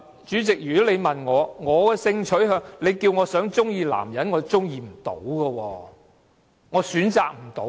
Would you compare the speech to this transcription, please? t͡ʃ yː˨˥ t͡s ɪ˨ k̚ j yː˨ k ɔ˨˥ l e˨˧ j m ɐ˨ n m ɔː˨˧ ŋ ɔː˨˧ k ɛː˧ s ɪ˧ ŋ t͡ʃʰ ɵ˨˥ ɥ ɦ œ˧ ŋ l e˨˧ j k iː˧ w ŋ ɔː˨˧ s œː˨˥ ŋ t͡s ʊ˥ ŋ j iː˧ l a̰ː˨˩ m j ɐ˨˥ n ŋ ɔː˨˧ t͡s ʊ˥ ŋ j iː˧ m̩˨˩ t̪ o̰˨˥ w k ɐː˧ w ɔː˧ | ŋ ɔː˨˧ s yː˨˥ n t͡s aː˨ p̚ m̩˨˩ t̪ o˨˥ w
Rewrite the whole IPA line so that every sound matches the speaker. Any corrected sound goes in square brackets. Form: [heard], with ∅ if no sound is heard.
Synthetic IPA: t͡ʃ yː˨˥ t͡s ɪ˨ k̚ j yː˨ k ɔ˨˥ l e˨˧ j m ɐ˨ n [ŋ] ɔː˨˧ ŋ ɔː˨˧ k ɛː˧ s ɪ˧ ŋ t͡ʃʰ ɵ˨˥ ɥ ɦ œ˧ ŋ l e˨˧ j k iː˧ w ŋ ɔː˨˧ s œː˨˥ ŋ t͡s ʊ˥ ŋ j iː˧ l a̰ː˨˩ m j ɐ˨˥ n ŋ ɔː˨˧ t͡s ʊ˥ ŋ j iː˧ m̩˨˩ t̪ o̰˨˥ w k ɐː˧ w ɔː˧ | ŋ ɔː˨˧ s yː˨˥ n t͡s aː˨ [k̚] m̩˨˩ t̪ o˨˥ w

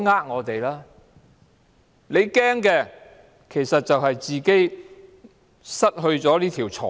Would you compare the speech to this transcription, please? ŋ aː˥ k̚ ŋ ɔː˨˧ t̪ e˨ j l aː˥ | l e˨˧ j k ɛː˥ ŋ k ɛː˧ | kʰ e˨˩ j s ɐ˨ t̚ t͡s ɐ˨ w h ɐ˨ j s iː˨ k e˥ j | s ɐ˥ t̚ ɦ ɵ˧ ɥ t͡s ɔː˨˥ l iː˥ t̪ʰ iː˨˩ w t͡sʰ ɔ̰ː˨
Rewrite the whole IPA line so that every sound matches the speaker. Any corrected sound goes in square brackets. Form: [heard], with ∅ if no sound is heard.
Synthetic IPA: ŋ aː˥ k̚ ŋ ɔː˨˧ t̪ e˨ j l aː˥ | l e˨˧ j k ɛː˥ ŋ k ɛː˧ | kʰ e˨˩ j s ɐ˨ t̚ t͡s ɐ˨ w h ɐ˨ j [t͡s] iː˨ k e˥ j | s ɐ˥ t̚ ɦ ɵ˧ ɥ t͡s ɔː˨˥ l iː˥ t̪ʰ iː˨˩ w t͡sʰ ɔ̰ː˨

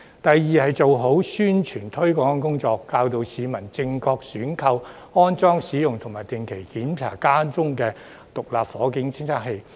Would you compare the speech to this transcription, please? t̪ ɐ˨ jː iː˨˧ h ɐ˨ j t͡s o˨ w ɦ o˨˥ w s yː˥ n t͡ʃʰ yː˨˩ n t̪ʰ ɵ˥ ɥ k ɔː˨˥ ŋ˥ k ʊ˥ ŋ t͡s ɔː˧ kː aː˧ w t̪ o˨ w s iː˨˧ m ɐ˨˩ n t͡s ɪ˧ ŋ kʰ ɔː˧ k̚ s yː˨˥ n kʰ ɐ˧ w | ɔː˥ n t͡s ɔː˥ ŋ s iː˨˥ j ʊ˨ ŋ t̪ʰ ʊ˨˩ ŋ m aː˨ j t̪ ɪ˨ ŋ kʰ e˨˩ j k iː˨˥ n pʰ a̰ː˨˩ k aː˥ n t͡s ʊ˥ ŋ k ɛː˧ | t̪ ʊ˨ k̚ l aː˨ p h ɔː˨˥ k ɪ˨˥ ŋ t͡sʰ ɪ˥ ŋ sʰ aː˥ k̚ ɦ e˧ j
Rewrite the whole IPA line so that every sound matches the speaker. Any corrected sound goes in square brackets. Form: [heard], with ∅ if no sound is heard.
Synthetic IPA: t̪ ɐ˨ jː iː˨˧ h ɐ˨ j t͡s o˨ w ɦ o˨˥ w s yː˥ n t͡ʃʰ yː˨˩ n t̪ʰ ɵ˥ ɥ k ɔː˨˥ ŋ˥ k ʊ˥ ŋ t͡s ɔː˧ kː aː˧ w t̪ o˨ w s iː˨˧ m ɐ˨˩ n t͡s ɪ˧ ŋ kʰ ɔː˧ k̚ s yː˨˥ n kʰ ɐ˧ w | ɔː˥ n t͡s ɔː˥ ŋ s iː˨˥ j ʊ˨ ŋ t̪ʰ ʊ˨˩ ŋ m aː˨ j t̪ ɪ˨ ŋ kʰ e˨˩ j k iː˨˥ n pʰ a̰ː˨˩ k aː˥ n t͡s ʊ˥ ŋ k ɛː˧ | t̪ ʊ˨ k̚ l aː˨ p [f] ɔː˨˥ k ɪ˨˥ ŋ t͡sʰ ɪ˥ ŋ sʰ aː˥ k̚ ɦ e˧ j

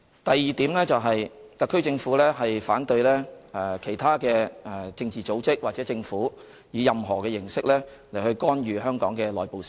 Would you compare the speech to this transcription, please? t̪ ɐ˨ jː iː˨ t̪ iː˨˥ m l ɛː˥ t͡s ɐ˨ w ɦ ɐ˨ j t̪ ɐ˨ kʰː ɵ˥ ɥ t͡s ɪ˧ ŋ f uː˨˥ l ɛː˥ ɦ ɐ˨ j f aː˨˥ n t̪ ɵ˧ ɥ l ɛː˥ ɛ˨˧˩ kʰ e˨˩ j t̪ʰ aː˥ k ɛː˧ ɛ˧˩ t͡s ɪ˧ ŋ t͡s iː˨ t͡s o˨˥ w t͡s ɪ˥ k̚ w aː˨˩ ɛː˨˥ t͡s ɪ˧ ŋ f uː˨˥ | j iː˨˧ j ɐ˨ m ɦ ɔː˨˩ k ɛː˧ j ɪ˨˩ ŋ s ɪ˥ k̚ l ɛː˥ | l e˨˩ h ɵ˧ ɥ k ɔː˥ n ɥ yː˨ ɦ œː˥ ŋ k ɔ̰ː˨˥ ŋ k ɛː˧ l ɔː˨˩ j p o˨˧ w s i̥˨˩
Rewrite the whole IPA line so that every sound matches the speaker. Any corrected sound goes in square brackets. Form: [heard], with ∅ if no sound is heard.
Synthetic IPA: t̪ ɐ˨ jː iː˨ t̪ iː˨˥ m l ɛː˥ t͡s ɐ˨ w ɦ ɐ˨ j t̪ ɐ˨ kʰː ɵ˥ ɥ t͡s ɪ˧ ŋ f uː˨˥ l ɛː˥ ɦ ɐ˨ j f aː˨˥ n t̪ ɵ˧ ɥ l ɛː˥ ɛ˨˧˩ kʰ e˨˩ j t̪ʰ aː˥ k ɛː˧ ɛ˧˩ t͡s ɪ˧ ŋ t͡s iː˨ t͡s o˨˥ w t͡s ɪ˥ k̚ w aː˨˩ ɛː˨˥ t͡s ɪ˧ ŋ f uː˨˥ | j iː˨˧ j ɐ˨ m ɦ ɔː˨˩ k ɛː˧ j ɪ˨˩ ŋ s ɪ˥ k̚ l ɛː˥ | l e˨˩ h ɵ˧ ɥ k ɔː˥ n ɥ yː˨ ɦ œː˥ ŋ k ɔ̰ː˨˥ ŋ k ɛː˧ l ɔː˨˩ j p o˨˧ w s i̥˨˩

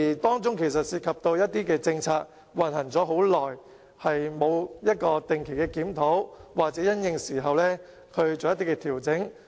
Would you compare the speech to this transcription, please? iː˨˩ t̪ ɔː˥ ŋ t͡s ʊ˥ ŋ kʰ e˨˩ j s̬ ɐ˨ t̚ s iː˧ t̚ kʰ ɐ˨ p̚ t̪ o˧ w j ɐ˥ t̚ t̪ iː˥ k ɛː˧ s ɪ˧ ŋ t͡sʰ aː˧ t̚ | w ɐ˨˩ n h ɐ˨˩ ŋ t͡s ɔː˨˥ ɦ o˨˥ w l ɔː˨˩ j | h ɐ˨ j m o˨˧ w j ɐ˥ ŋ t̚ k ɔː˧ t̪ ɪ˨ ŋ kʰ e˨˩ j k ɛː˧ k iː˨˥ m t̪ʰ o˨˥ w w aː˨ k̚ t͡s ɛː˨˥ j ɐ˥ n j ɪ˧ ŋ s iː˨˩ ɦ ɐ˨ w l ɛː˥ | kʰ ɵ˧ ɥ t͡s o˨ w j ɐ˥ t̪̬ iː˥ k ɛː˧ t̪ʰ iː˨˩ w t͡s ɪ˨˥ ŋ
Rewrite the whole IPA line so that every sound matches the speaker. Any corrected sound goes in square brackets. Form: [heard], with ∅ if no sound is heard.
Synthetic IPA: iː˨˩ t̪ ɔː˥ ŋ t͡s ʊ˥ ŋ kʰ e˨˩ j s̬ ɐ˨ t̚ s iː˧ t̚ kʰ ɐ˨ p̚ t̪ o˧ w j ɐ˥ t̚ t̪ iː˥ k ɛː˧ [t͡s] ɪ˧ ŋ t͡sʰ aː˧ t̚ | w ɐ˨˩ n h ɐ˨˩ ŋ t͡s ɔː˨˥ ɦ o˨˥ w l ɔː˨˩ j | h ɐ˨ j m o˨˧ w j ɐ˥ [∅] t̚ k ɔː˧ t̪ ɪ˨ ŋ kʰ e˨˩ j k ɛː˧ k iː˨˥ m t̪ʰ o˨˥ w w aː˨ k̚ t͡s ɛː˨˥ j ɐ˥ n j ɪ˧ ŋ s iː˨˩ ɦ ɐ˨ w l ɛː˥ | kʰ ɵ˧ ɥ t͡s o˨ w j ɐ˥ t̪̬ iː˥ k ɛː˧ t̪ʰ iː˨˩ w t͡s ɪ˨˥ ŋ

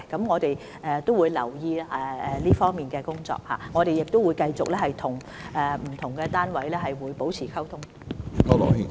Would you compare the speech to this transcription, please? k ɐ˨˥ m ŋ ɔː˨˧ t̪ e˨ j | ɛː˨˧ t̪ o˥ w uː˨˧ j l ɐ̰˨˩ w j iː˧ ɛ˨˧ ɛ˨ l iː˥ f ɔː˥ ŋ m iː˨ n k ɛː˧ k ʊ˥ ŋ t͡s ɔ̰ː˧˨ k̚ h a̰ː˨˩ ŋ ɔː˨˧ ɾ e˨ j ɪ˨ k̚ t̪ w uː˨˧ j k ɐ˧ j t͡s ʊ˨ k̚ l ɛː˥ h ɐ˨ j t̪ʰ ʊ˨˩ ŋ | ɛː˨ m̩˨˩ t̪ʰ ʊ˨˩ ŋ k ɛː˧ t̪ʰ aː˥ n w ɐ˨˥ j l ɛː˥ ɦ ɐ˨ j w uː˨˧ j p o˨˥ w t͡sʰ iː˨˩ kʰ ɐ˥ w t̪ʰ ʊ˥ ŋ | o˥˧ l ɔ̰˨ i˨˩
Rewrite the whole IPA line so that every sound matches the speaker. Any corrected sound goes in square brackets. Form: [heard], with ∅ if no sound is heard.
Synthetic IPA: k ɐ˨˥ m ŋ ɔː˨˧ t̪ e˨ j | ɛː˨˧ t̪ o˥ w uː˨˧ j l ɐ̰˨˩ w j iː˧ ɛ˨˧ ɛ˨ l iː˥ f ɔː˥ ŋ m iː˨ n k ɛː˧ k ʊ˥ ŋ t͡s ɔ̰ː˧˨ k̚ h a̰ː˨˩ ŋ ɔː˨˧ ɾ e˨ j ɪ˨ k̚ t̪ w [u˨˧] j k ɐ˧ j t͡s ʊ˨ k̚ l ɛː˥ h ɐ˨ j t̪ʰ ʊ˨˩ ŋ | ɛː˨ m̩˨˩ t̪ʰ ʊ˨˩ ŋ k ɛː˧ [t̪] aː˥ n w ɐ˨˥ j l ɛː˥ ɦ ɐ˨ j w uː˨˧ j p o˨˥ w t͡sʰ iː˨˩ kʰ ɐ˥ w t̪ʰ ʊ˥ ŋ | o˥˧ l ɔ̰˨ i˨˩

